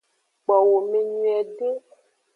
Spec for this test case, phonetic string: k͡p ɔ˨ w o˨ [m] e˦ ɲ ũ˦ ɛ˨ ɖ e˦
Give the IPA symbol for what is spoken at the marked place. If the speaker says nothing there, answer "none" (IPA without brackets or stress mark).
m